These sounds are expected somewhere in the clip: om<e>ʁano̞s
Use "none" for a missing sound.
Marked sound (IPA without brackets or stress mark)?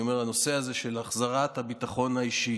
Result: e